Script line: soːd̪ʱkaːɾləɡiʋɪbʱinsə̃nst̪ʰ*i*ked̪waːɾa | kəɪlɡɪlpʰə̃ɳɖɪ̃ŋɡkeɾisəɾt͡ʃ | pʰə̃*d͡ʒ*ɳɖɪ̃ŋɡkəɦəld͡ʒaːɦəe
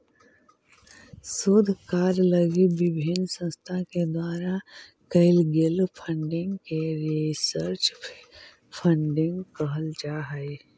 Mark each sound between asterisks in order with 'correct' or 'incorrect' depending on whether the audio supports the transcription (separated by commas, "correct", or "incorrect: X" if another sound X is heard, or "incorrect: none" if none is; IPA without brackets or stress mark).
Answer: incorrect: a, incorrect: none